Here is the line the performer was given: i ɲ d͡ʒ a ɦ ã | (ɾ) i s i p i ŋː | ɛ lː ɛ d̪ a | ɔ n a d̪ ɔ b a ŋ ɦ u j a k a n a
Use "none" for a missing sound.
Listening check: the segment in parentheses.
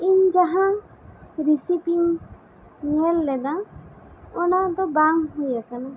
ɾ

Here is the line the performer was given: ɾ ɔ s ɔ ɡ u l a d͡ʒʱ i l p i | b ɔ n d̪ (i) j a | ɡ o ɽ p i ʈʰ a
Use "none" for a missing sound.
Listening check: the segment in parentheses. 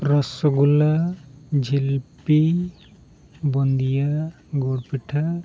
i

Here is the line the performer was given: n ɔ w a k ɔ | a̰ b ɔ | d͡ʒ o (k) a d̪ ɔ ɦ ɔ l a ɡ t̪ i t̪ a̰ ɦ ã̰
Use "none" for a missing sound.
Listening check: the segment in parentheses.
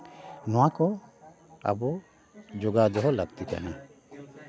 ɡ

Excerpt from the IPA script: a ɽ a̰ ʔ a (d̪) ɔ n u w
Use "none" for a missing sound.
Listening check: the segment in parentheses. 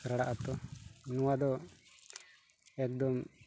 t̪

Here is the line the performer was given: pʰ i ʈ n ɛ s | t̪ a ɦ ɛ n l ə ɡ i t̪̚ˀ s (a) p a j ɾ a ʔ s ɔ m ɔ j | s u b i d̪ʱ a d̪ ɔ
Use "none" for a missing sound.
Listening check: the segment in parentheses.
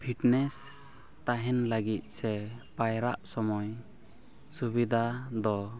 ɛ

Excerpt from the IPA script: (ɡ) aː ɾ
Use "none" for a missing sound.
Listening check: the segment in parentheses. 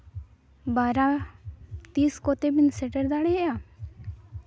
b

